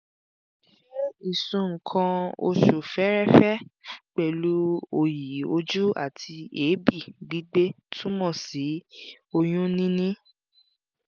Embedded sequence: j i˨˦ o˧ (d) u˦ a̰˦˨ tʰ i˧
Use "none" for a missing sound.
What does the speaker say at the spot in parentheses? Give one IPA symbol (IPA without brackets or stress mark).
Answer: d͡ʒ